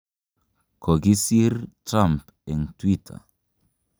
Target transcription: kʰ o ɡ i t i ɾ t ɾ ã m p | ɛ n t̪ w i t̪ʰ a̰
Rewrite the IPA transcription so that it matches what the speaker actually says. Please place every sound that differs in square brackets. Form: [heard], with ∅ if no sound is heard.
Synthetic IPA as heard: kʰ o ɡ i [s] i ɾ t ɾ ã m p | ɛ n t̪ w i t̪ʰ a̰